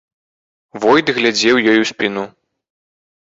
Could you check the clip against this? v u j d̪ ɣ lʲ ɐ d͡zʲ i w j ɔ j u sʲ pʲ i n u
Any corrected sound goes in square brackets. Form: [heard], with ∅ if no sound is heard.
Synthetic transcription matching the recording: v [ɔ] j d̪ ɣ lʲ [a] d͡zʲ [ɛ] w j ɔ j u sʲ pʲ i n u